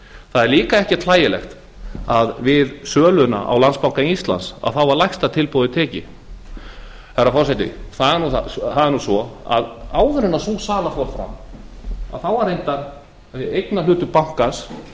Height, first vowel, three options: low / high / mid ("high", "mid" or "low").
low